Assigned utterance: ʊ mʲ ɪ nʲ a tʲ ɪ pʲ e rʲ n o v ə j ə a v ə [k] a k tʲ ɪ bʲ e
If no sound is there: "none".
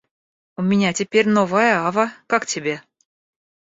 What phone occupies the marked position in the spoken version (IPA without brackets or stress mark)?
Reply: k